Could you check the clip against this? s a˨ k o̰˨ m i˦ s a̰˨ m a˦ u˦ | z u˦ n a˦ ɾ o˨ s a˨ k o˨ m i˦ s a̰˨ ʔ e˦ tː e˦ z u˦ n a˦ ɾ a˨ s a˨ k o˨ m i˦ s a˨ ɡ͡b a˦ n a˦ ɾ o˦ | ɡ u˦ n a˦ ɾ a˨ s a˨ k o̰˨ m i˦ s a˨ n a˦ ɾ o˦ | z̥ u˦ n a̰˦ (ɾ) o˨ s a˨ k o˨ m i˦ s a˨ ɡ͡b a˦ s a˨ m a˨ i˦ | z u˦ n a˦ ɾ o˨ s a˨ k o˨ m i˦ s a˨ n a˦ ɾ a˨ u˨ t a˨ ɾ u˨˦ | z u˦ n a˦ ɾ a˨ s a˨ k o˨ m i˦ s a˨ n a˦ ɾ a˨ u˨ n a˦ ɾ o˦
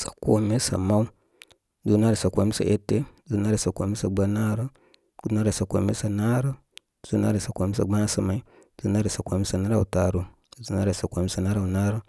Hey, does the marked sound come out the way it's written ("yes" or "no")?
yes